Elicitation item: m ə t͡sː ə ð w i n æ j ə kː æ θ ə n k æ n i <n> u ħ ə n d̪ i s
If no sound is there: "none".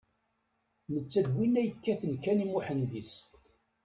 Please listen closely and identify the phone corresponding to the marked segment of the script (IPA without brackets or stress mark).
m